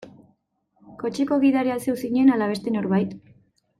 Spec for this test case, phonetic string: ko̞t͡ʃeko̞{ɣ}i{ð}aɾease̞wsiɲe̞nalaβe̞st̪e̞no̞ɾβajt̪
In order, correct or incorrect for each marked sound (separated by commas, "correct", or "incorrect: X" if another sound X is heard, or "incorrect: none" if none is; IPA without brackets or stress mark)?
correct, correct